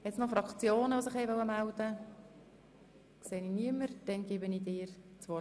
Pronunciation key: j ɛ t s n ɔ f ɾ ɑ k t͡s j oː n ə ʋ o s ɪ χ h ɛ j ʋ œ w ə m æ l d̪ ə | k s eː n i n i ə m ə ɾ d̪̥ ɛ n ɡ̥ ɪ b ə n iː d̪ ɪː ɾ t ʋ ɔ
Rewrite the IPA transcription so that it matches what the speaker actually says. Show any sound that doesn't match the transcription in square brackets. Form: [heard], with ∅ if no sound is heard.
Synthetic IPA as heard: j ɛ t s n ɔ f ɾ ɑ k t͡s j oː n ə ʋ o s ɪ χ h ɛ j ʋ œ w ə m æ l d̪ ə | k s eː n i n i ə m ə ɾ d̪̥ ɛ n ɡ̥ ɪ b ə n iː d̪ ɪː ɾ [t͡s] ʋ ɔ